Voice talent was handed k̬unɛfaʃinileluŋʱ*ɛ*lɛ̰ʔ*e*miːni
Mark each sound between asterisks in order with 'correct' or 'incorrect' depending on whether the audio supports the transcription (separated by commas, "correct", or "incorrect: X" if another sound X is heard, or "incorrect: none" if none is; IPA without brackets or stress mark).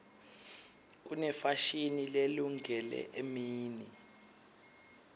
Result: correct, correct